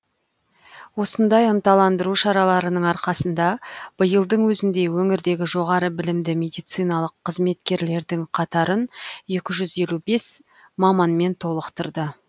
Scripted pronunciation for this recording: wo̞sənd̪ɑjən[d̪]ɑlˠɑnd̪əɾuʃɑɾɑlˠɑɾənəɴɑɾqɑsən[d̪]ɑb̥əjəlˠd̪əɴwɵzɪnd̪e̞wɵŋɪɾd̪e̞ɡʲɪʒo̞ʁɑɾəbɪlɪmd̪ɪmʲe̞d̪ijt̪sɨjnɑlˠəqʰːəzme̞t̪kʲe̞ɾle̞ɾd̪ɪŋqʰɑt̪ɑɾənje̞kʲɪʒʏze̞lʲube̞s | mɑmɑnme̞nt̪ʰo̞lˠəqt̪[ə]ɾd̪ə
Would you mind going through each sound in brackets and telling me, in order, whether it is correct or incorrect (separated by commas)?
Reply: incorrect, correct, correct